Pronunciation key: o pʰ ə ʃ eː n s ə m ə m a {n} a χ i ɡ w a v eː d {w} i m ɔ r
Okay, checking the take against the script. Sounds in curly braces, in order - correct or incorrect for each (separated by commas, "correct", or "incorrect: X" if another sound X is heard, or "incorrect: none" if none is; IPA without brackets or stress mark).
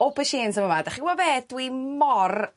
incorrect: d, correct